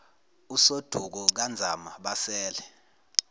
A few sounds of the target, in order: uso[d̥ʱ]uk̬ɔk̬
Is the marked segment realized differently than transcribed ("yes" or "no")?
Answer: no